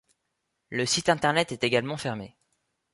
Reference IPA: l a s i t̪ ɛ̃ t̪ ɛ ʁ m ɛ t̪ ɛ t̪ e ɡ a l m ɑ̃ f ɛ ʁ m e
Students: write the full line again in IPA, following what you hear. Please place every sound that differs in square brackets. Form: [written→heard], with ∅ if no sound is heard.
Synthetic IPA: l [a→ə] s i t̪ ɛ̃ t̪ ɛ ʁ [m→n] ɛ t̪ ɛ t̪ e ɡ a l m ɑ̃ f ɛ ʁ m e

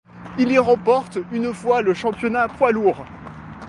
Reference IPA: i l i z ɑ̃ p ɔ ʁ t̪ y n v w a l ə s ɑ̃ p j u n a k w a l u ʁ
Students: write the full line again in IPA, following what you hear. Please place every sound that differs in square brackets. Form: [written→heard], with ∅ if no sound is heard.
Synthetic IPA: i l i [z→ʁ] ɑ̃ p ɔ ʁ t̪ y n [v→f] w a l ə [s→ʃ] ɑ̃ p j [u→ɔ] n a [k→p] w a l u ʁ

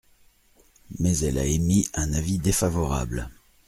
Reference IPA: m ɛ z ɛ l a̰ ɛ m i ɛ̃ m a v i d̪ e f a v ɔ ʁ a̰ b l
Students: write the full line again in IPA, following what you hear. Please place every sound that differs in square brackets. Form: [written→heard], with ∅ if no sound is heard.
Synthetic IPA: m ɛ z ɛ l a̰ [ɛ→e] m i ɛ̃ [m→n] a v i d̪ e f a v ɔ ʁ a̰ b l

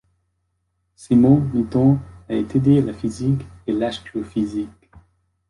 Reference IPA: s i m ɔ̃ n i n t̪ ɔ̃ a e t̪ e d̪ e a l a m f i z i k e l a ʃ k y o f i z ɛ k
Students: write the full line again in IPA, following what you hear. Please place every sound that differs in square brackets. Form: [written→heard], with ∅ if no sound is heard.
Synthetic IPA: s i m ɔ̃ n i [n→∅] t̪ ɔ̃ a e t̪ e d̪ e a l a [m→∅] f i z i k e l a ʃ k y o f i z [ɛ→i] k

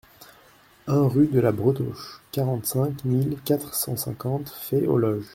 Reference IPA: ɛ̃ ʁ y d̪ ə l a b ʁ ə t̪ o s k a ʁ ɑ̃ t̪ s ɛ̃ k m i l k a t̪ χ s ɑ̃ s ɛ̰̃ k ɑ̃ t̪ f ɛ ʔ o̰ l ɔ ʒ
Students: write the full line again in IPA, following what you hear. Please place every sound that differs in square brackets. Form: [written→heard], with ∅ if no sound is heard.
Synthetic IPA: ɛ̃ ʁ y d̪ ə l a b ʁ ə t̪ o [s→ʃ] k a ʁ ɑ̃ t̪ s ɛ̃ k m i l k a t̪ χ s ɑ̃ s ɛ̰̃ k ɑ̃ t̪ f ɛ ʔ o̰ l ɔ ʒ

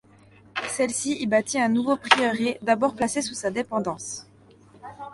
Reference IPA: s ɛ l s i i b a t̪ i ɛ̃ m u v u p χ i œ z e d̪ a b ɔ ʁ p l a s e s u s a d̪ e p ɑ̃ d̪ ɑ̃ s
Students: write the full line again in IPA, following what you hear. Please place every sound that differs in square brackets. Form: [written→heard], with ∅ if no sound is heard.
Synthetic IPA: s ɛ l s i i b a t̪ i ɛ̃ [m→n] u v [u→o] p χ i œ [z→ʁ] e d̪ a b ɔ ʁ p l a s e s u s a d̪ e p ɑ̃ d̪ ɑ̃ s

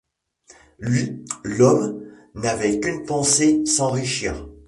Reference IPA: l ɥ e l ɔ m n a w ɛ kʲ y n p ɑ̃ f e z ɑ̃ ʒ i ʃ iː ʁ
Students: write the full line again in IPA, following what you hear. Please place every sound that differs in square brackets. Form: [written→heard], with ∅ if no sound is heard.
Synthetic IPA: l ɥ [e→i] l ɔ m n a [w→v] ɛ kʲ y n p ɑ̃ [f→s] e [z→s] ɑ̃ [ʒ→ʁ] i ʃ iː ʁ

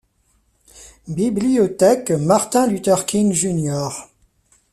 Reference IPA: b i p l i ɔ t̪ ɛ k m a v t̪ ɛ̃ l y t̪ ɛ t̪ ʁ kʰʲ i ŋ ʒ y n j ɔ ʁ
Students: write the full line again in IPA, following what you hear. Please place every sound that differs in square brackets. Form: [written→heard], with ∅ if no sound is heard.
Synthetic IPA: b i [p→b] l i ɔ t̪ ɛ k m a [v→ʁ] t̪ ɛ̃ l y t̪ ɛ [t̪→∅] ʁ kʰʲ i ŋ ʒ y n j ɔ ʁ

